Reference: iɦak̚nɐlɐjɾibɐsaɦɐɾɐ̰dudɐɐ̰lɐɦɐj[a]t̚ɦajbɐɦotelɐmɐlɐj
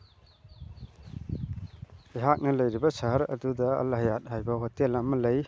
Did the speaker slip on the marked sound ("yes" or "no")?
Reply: no